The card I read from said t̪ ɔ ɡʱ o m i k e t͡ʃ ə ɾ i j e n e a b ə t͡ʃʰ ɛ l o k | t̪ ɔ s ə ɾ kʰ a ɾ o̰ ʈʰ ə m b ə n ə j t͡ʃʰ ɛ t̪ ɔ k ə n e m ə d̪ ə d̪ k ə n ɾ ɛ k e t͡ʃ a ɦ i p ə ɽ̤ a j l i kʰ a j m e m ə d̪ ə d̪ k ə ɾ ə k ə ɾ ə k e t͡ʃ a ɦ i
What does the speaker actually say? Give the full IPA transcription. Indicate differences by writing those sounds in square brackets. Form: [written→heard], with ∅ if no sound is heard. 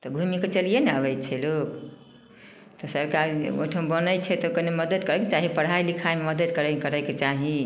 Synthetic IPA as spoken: t̪ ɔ ɡʱ [o→u] m i k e t͡ʃ ə [ɾ→l] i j e n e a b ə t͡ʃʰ ɛ l o k | t̪ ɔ s ə ɾ [kʰ→k] a ɾ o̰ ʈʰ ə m b ə n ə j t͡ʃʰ ɛ t̪ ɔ k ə n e m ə d̪ ə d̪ k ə [n→∅] ɾ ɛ k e t͡ʃ a ɦ i p ə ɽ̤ a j l i kʰ a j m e m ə d̪ ə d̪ k ə ɾ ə k ə ɾ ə k e t͡ʃ a ɦ i